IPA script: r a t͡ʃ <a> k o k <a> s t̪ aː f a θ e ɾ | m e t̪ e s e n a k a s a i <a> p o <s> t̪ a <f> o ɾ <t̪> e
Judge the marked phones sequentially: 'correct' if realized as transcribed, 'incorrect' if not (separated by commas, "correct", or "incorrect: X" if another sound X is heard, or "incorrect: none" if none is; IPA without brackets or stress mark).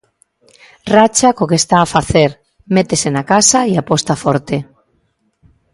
correct, incorrect: e, correct, correct, correct, correct